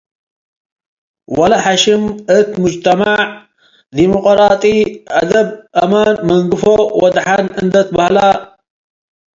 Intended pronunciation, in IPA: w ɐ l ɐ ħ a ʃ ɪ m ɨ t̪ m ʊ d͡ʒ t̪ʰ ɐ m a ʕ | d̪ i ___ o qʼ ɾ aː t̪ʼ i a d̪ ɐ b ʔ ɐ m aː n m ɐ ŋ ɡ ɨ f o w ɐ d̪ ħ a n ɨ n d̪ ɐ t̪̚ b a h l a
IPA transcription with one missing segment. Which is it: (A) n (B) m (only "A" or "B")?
B